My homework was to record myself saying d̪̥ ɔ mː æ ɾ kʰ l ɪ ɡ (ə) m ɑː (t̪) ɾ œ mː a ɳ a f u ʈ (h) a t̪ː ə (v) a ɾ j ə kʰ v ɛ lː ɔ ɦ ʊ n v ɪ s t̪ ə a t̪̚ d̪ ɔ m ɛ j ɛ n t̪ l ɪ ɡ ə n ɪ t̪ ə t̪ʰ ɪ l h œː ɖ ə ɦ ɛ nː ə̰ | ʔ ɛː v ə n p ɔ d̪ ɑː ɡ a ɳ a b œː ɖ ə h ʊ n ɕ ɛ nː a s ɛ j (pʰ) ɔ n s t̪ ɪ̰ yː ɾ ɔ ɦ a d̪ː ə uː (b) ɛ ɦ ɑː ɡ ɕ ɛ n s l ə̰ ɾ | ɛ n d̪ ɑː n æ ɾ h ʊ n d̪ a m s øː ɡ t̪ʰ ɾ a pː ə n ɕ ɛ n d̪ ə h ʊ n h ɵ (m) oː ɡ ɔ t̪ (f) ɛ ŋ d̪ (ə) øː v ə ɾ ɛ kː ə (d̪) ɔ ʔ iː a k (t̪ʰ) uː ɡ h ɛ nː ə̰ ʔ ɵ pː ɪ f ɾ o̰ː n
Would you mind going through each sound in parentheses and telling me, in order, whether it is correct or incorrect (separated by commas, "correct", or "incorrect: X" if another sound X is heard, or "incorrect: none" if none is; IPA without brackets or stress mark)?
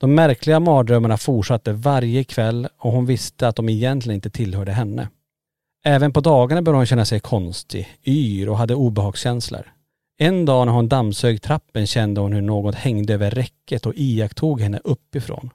incorrect: a, incorrect: d̪, incorrect: ʂ, correct, incorrect: kʰ, correct, incorrect: ɳ, incorrect: h, correct, incorrect: t̪, correct